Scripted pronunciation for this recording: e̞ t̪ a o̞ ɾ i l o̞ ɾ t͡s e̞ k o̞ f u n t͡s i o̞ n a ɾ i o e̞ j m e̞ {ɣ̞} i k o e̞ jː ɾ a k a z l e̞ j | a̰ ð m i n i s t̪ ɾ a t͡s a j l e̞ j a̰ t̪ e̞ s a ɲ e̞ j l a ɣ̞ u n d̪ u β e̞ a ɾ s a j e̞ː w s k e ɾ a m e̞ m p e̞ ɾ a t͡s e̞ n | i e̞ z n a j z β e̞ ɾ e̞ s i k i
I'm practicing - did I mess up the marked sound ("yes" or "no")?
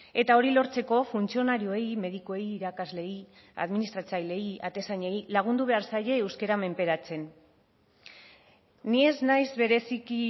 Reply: yes